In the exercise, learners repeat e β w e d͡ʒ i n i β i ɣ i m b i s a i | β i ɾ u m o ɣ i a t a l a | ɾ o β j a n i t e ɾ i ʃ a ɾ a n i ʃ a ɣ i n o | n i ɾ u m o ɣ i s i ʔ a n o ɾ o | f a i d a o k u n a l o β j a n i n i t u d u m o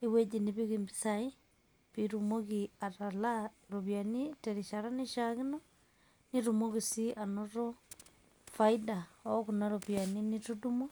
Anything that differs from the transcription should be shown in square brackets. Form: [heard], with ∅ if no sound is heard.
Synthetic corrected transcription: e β w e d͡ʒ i n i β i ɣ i m b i s a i | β i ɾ u m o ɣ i a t a l a | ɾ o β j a n i t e ɾ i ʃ a ɾ a n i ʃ a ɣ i n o | n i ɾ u m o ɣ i s i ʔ a n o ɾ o | f a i d a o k u n a [ɾ] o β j a n i n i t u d u m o